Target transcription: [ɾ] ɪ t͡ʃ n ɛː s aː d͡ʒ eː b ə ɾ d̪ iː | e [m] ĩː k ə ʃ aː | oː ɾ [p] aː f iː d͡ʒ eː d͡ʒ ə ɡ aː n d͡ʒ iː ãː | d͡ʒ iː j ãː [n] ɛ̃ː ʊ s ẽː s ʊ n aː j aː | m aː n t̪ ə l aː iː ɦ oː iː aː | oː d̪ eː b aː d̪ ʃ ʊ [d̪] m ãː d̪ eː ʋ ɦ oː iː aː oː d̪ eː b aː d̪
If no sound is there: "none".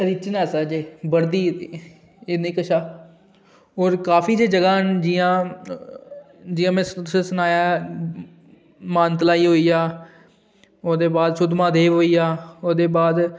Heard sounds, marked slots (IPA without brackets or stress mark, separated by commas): ɾ, n, k, m, d̪